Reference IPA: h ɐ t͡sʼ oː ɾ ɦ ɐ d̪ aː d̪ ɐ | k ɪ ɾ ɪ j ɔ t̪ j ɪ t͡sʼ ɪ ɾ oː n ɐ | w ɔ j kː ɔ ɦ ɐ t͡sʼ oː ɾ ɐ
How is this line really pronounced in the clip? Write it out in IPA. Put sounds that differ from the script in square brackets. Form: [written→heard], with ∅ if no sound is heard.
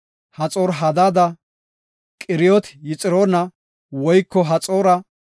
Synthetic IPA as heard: h ɐ t͡sʼ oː ɾ ɦ ɐ d̪ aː d̪ ɐ | [k→kʼ] ɪ ɾ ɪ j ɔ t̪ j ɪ t͡sʼ ɪ ɾ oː n ɐ | w ɔ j kː ɔ ɦ ɐ t͡sʼ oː ɾ ɐ